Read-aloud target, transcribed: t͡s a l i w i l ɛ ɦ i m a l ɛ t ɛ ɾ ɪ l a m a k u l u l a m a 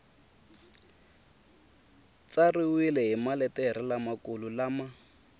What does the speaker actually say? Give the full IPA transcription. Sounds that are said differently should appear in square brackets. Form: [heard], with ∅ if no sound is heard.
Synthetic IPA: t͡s a [r] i w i l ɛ ɦ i m a l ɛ t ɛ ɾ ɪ l a m a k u l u l a m a